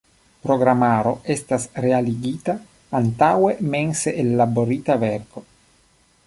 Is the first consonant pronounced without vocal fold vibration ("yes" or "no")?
yes